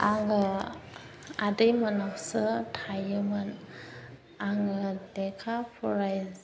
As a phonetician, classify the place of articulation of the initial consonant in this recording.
velar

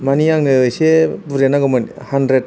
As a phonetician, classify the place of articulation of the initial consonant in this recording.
labial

